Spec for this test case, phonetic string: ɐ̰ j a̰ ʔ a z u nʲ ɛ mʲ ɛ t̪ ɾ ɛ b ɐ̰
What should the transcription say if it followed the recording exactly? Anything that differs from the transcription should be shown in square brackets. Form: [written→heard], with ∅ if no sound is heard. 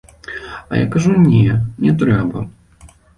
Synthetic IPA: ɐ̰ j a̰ [ʔ→k] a [z→ʐ] u nʲ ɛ [mʲ→nʲ] ɛ t̪ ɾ ɛ b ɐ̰